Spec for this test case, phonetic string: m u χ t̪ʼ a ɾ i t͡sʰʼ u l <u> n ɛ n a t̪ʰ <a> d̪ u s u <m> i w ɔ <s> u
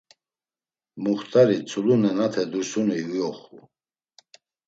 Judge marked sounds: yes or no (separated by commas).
yes, no, no, no